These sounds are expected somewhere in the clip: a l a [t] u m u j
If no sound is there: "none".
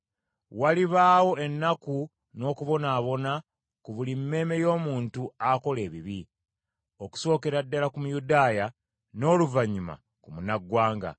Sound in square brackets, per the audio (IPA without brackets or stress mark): k